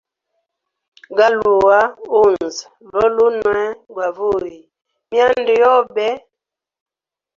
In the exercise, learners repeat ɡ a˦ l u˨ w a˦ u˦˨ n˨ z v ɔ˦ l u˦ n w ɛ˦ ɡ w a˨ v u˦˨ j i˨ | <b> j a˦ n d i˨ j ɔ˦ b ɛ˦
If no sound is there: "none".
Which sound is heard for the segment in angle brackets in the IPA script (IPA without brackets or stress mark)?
m